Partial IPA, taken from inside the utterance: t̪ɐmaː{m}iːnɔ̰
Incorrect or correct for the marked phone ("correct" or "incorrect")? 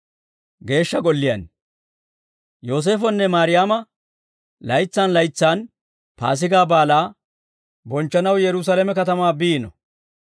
incorrect